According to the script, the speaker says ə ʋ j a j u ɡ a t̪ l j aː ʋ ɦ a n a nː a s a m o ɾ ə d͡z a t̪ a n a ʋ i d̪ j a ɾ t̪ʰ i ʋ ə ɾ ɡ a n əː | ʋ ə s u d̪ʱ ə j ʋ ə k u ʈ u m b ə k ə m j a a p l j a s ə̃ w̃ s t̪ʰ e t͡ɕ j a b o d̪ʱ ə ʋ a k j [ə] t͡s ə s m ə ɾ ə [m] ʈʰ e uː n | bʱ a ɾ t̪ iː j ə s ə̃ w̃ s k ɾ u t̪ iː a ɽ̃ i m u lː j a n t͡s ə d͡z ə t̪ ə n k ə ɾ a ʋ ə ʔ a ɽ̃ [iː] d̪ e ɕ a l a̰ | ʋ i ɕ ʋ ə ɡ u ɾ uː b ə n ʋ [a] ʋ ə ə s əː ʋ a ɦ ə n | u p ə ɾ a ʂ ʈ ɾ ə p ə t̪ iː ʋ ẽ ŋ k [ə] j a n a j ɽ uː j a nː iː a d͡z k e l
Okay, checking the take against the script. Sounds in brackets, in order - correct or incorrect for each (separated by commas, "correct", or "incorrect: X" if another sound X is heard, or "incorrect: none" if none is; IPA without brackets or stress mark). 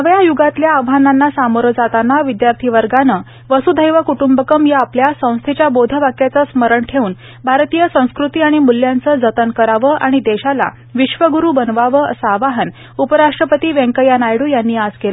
incorrect: a, incorrect: ɳ, incorrect: i, correct, correct